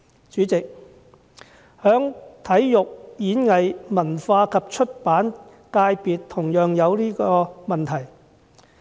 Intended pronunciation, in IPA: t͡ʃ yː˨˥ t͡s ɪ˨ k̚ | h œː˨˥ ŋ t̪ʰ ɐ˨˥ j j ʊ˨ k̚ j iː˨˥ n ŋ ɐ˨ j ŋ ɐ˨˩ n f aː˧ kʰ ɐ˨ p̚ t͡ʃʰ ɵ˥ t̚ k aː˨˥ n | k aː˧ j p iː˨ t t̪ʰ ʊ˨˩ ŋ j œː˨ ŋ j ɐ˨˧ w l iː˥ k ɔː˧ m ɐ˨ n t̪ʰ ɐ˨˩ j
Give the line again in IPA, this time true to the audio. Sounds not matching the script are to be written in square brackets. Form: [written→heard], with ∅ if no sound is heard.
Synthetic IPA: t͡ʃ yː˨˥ t͡s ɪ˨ k̚ | h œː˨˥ ŋ t̪ʰ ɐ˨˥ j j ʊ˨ k̚ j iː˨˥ n ŋ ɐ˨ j [ŋ→m] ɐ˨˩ n f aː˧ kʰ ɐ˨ p̚ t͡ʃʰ ɵ˥ t̚ [k→p] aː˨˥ n | k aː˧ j p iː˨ t t̪ʰ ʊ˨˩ ŋ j œː˨ ŋ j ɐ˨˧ w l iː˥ k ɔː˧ m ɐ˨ n t̪ʰ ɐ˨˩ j